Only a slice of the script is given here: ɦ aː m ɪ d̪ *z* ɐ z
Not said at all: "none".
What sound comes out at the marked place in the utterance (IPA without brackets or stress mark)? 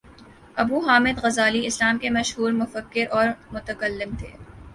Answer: ɣ